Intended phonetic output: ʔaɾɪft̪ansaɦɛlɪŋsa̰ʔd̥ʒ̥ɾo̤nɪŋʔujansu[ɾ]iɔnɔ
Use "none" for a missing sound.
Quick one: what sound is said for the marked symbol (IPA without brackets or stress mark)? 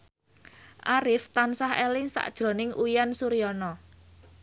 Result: ɾ